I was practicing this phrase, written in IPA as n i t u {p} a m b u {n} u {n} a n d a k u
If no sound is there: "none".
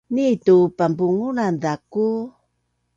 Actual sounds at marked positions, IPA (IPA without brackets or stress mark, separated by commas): p, ŋ, n